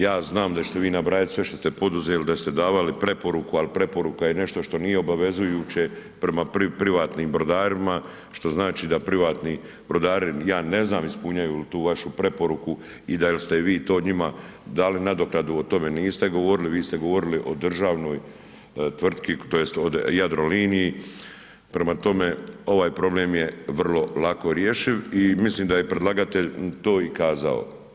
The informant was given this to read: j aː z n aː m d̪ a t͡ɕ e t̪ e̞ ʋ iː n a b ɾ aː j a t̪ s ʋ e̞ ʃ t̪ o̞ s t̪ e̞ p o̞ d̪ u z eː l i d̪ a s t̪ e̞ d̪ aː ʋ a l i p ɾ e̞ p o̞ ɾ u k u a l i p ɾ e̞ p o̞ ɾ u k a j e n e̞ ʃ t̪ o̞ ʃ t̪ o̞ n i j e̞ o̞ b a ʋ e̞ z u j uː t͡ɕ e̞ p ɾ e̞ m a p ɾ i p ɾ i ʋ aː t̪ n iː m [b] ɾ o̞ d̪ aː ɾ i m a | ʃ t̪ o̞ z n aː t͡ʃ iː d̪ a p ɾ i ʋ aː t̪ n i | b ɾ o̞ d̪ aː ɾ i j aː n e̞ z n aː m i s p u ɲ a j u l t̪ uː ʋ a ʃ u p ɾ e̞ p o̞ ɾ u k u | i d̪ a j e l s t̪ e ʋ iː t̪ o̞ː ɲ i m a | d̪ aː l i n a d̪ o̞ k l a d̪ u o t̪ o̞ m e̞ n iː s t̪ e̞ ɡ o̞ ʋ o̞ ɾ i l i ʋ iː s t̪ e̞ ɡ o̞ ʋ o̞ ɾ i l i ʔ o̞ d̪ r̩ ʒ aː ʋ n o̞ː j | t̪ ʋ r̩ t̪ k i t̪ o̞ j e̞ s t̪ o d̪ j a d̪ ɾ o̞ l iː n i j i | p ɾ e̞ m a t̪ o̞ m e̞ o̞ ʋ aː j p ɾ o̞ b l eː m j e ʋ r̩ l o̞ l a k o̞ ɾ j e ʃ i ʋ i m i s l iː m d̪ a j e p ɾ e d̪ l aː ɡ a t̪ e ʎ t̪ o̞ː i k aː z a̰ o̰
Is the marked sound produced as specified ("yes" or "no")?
yes